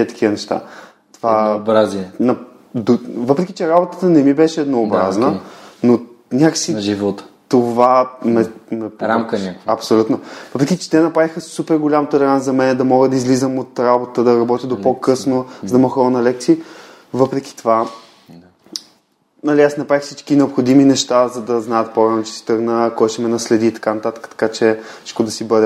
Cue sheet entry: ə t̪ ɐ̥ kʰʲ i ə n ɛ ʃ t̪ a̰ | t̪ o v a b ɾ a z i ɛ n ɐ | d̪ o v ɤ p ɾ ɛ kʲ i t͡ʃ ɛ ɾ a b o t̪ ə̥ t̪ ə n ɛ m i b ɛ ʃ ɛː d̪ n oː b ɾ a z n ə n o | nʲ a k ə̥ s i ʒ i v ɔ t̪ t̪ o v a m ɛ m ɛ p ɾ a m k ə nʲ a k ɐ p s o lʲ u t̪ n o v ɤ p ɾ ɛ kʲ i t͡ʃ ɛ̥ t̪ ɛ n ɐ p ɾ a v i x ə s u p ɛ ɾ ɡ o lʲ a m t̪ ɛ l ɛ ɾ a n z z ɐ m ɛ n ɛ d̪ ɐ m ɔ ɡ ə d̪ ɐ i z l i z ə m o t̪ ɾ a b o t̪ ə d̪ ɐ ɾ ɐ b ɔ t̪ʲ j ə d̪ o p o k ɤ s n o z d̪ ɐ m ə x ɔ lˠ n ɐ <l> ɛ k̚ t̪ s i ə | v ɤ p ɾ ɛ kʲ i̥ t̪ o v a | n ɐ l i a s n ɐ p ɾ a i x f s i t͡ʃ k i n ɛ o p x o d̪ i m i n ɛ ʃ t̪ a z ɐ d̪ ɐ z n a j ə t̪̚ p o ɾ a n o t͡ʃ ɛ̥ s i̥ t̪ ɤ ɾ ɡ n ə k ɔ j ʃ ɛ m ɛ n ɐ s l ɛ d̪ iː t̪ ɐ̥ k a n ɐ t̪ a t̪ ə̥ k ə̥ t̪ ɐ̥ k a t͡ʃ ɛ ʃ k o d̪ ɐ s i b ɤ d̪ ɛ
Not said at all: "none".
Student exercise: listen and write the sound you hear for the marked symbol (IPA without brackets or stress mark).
l